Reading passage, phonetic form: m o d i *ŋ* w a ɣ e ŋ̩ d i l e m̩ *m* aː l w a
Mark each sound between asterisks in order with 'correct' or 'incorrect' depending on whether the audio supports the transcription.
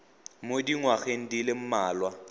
correct, correct

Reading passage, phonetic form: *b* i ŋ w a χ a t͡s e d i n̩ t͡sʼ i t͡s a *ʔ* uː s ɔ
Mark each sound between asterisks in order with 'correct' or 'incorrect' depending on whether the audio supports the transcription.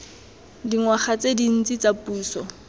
incorrect: d, incorrect: p

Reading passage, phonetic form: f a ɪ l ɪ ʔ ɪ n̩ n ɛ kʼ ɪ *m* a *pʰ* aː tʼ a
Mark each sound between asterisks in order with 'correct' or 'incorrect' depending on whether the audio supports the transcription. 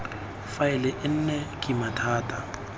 correct, incorrect: tʰ

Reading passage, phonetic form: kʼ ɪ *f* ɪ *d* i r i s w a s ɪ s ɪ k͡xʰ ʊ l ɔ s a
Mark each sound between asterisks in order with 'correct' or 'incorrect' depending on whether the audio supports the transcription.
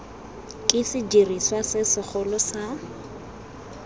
incorrect: s, incorrect: d͡ʒ

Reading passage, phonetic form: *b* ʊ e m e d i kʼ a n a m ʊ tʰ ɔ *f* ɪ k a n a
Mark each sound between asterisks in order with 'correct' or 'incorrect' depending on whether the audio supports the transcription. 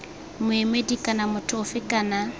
incorrect: m, correct

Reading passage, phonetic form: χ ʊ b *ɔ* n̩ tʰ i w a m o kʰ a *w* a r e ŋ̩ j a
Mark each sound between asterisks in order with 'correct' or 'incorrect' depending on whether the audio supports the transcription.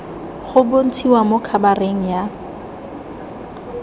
incorrect: o, incorrect: b

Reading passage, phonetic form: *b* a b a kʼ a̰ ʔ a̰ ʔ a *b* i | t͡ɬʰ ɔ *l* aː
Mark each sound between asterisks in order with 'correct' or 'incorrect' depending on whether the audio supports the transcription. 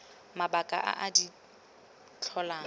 incorrect: m, incorrect: d, correct

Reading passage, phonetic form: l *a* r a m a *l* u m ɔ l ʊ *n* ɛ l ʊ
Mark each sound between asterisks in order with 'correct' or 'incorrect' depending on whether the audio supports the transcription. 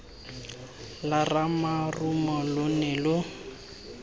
correct, incorrect: r, correct

